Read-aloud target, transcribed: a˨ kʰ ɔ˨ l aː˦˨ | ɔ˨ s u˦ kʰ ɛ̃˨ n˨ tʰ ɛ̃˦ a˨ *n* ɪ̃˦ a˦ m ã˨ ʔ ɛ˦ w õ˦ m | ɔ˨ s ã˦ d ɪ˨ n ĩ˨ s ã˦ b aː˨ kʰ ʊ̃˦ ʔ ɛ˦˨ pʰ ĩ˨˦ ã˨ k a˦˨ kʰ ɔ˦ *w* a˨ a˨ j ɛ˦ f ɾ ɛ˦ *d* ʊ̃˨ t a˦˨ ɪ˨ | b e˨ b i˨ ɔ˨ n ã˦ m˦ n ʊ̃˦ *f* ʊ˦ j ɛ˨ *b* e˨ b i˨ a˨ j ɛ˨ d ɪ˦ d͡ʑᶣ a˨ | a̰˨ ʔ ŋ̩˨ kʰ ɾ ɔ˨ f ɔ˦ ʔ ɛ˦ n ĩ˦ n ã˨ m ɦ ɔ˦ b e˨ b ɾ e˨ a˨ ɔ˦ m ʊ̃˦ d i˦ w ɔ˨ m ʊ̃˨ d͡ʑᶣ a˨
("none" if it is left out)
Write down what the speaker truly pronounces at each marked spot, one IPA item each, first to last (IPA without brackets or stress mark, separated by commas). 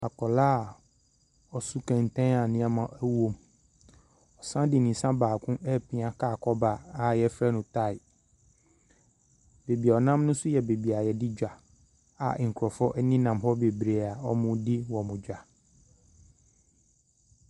n, b, n, s, b